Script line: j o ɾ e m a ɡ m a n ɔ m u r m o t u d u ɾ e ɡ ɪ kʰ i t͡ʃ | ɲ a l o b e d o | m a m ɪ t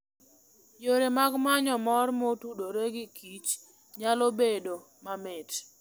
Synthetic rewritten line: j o ɾ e m a ɡ m a ɲ ɔ m ɔ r m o t u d o ɾ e ɡ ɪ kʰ i t͡ʃ | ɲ a l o b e d o | m a m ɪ t